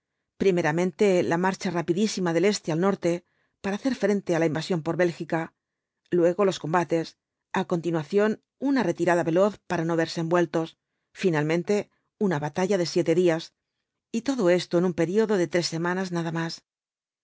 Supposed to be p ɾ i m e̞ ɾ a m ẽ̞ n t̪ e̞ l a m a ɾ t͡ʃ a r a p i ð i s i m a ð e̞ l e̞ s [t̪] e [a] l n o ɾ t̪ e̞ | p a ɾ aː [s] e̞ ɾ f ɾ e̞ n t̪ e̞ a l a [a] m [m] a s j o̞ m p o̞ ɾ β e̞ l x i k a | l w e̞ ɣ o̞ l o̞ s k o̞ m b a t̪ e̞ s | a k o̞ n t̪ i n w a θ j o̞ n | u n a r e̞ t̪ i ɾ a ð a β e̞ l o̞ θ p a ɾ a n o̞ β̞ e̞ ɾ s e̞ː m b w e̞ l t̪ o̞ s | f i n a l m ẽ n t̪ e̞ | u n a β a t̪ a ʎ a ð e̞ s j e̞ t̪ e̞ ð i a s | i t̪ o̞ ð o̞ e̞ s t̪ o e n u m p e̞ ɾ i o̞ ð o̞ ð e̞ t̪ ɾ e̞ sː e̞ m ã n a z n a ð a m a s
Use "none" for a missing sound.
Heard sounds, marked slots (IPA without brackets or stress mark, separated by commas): t̪, a, θ, i, b